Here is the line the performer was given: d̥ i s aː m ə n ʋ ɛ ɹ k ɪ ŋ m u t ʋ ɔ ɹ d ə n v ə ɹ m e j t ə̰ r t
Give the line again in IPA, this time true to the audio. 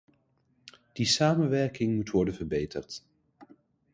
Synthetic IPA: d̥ i s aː m ə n ʋ ɛ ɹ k ɪ ŋ m u t ʋ ɔ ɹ d ə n v ə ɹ b e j t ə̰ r t